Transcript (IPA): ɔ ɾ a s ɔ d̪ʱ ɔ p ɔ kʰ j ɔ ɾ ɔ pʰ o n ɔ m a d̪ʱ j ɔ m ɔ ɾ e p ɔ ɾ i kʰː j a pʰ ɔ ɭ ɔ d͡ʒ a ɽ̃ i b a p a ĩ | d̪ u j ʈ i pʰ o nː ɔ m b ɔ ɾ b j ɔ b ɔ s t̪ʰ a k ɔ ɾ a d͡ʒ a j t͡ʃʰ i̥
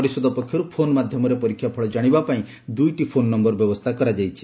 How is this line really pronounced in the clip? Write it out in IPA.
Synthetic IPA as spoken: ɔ ɾ i s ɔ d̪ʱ ɔ p ɔ kʰ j ɔ ɾ u pʰ o n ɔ m a d̪ʱ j ɔ m ɔ ɾ e p ɔ ɾ i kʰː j a pʰ ɔ ɭ ɔ d͡ʒ a ɽ̃ i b a p a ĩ | d̪ u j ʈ i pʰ o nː ɔ m b ɔ ɾ b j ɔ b ɔ s t̪ʰ a k ɔ ɾ a d͡ʒ a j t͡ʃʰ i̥